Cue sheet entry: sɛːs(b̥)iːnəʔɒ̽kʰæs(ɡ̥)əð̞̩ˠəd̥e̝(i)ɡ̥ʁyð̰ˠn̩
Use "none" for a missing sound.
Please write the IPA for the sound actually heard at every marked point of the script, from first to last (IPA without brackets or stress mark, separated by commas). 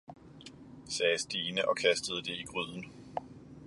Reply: d̥, d̥, i